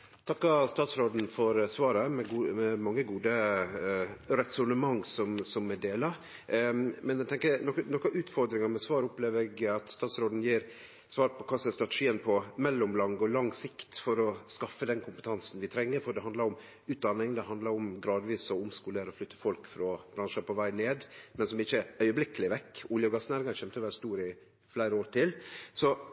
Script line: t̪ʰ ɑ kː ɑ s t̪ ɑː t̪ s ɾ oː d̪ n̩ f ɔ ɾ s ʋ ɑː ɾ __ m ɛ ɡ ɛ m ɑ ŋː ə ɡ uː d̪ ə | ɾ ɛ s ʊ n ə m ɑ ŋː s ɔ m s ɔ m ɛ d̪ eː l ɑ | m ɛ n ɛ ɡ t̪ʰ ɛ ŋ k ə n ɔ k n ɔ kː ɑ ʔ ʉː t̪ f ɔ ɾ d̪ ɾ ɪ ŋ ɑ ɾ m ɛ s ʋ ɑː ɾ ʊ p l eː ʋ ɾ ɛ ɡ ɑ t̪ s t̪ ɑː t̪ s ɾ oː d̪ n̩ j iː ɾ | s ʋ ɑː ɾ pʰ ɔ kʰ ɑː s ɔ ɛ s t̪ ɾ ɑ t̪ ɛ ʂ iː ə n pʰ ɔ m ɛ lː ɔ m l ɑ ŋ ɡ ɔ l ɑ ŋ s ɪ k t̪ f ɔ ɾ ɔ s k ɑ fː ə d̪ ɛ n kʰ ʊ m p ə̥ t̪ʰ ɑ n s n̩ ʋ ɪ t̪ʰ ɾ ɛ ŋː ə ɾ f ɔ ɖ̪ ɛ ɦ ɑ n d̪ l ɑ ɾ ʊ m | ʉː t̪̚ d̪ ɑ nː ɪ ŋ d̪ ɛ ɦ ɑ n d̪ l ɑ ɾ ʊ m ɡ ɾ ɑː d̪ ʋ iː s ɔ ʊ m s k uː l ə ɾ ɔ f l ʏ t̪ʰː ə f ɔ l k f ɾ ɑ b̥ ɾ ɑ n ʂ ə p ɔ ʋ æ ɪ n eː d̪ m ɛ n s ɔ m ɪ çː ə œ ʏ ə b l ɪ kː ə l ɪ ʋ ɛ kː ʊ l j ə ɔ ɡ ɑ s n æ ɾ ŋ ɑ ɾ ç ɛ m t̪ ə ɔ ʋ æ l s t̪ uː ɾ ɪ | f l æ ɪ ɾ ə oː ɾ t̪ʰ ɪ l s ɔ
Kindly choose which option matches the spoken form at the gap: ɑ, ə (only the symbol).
ə